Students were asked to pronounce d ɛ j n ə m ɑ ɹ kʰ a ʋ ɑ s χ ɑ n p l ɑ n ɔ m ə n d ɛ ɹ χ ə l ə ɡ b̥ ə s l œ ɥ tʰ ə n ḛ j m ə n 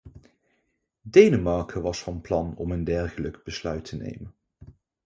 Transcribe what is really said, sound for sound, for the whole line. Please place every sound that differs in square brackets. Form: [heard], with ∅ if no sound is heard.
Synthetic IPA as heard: d [e] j n ə m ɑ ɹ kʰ [ə] ʋ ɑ s [f] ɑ n p l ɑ n ɔ m ə n d ɛ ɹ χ ə l ə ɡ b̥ ə s l œ ɥ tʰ ə n ḛ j m ə n